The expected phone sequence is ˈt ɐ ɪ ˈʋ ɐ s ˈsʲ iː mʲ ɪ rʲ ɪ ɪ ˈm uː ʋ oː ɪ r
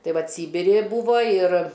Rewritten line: ˈt ɐ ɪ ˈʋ ɐ t ˈsʲ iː bʲ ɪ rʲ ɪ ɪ ˈb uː ʋ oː ɪ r